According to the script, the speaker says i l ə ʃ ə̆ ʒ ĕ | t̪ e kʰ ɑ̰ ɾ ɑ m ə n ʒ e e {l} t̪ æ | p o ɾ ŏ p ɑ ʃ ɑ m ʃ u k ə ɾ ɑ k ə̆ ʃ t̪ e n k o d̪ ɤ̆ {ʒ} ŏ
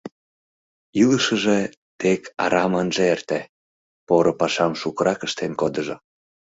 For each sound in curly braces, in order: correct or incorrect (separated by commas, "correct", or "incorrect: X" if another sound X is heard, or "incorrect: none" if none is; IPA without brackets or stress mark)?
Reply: incorrect: r, correct